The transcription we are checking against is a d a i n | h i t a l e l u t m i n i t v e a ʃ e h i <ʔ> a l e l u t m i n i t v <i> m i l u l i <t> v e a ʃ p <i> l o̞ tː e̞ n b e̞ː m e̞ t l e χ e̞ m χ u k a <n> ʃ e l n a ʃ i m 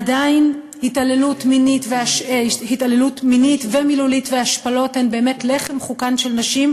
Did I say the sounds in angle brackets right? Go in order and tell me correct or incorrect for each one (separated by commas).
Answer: incorrect, incorrect, correct, incorrect, correct